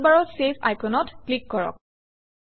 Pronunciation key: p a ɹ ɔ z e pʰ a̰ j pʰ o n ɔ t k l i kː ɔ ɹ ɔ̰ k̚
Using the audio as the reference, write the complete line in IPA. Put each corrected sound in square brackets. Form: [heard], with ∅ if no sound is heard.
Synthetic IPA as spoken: [b] a ɹ ɔ [s] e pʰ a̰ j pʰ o n ɔ t k l i kː ɔ ɹ ɔ̰ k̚